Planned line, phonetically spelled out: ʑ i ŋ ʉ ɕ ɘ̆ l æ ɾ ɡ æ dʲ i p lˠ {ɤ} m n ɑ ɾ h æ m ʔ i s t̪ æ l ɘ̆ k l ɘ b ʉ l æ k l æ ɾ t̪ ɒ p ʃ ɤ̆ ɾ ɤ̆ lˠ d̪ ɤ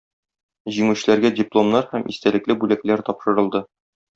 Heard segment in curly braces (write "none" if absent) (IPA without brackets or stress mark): o